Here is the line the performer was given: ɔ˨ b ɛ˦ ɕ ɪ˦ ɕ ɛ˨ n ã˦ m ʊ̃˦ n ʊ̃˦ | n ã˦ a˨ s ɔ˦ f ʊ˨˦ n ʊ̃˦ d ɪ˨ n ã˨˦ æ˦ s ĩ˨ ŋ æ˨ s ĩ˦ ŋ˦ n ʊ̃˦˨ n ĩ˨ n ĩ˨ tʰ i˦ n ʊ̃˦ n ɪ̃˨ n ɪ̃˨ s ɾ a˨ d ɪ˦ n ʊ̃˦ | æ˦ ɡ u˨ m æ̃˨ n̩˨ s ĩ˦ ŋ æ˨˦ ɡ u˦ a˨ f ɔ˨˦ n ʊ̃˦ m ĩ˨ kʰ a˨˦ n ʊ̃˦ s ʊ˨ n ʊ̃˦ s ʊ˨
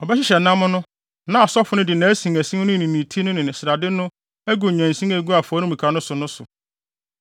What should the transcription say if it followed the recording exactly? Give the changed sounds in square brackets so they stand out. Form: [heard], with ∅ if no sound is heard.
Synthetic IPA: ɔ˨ b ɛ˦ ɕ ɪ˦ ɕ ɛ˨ n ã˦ m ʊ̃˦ n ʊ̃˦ | n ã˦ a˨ s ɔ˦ f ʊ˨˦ n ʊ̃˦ d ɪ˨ n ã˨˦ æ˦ s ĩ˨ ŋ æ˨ s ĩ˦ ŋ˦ n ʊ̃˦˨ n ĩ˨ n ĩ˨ tʰ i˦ n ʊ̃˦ n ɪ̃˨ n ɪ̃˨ s ɾ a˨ d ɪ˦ n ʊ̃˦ | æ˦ ɡ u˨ [ɲ] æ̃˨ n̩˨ s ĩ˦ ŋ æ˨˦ ɡ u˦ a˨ f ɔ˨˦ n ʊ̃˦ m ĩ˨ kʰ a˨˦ n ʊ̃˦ s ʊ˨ n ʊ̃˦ s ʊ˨